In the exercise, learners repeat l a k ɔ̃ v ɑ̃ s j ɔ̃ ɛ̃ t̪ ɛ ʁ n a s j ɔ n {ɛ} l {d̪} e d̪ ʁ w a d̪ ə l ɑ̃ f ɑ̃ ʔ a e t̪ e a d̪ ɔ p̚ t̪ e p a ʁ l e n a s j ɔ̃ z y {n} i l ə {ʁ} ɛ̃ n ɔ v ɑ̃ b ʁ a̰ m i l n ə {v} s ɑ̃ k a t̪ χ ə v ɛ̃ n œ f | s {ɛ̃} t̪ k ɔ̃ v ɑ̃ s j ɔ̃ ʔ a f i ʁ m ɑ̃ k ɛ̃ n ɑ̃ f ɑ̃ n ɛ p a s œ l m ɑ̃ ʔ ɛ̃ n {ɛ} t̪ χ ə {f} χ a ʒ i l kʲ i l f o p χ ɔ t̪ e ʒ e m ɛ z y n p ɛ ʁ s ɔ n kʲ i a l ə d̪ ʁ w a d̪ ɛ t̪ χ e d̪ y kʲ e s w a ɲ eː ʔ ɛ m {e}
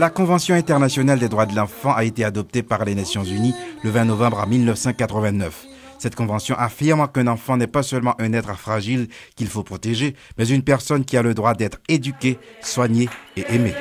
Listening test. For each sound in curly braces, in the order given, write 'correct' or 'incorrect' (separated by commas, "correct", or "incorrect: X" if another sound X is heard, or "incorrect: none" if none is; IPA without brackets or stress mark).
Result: incorrect: a, correct, correct, incorrect: v, incorrect: f, incorrect: ɛ, correct, correct, correct